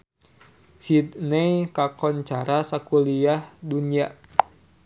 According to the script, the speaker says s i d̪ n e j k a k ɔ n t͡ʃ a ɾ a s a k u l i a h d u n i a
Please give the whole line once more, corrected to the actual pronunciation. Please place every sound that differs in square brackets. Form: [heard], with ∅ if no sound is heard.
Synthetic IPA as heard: s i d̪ n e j k a k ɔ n t͡ʃ a ɾ a s a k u l i a h d u n i a